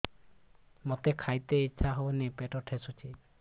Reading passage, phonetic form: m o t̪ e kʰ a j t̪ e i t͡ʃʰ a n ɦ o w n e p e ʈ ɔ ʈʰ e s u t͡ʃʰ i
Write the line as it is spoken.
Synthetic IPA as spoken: m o t̪ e kʰ a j t̪ e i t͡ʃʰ a ɦ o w n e p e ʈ ɔ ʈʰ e s u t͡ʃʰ i